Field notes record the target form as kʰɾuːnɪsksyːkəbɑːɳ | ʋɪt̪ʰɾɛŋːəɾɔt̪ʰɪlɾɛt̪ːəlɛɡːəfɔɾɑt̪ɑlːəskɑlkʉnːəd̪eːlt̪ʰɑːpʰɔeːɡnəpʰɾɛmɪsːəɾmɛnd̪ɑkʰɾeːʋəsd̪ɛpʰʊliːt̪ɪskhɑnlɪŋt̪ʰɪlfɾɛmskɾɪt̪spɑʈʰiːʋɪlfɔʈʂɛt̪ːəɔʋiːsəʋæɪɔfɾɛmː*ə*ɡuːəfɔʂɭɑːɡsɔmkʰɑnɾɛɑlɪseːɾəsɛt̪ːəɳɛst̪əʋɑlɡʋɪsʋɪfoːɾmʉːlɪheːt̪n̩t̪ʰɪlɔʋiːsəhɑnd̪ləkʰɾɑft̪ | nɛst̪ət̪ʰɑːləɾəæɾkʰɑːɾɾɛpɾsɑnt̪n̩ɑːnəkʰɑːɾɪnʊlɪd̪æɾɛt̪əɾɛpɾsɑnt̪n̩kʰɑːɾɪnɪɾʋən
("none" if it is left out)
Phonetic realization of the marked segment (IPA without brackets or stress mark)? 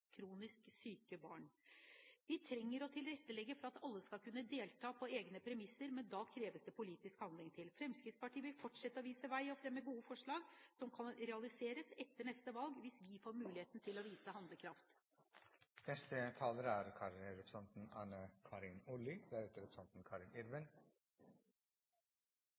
ə